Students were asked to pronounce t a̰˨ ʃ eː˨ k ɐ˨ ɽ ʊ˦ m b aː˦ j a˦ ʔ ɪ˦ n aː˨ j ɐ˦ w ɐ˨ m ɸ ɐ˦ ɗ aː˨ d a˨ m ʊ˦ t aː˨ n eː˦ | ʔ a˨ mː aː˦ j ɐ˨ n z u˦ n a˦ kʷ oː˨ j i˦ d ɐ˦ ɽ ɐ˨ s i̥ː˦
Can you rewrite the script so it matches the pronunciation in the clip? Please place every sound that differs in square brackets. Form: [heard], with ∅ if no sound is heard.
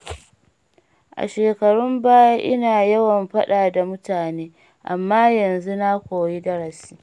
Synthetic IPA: [ʔ] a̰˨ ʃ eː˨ k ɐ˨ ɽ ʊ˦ m b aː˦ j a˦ ʔ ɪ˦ n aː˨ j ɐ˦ w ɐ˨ m ɸ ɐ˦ ɗ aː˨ d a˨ m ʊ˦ t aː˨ n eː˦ | ʔ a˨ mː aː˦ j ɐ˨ n z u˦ n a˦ kʷ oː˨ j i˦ d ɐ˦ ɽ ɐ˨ s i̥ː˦